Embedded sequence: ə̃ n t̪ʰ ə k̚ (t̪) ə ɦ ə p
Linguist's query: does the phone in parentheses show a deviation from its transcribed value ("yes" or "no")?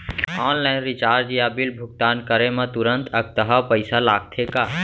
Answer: no